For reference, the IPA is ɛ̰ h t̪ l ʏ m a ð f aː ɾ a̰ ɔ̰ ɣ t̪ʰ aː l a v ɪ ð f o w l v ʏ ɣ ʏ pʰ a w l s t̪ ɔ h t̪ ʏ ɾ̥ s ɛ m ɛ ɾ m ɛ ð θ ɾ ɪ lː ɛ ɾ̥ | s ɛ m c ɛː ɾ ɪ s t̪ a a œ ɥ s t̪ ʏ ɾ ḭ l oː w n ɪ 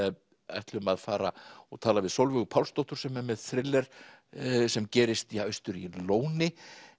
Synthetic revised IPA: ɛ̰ h t̪ l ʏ m a ð f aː ɾ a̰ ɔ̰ ɣ t̪ʰ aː l a v ɪ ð s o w l v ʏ ɣ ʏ pʰ a w l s t̪ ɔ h t̪ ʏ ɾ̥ s ɛ m ɛ ɾ m ɛ ð θ ɾ ɪ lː ɛ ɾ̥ | s ɛ m c ɛː ɾ ɪ s t̪ i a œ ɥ s t̪ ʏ ɾ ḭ l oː w n ɪ